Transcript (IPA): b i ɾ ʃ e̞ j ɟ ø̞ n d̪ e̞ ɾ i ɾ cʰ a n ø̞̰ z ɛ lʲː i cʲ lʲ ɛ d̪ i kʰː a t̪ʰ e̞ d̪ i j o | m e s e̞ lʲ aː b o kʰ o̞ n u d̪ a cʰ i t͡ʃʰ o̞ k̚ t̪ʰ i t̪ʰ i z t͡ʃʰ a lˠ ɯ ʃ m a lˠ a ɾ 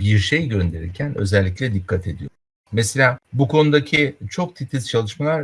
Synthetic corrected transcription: b i ɾ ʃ e̞ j ɟ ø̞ n d̪ e̞ ɾ i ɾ cʰ æ n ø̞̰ z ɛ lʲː i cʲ lʲ ɛ d̪ i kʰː a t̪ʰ e̞ d̪ i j o | m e s e̞ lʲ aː b u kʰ o̞ n u d̪ a cʰ i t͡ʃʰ o̞ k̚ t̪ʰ i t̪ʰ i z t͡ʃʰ a lˠ ɯ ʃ m a lˠ a ɾ